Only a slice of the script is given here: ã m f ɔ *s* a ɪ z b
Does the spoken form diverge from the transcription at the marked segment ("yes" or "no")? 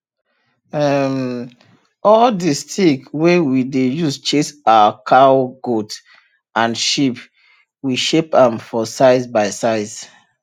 no